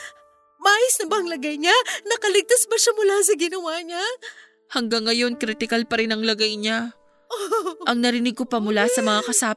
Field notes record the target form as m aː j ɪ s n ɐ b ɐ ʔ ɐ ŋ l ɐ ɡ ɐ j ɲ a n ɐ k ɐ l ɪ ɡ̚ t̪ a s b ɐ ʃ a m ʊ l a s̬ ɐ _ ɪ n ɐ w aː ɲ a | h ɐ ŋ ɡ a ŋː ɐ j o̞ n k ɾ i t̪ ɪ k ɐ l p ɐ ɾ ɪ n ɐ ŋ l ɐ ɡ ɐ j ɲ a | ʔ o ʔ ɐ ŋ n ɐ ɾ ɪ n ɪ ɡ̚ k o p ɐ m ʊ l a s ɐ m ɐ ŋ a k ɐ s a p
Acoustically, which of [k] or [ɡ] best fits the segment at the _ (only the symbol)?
ɡ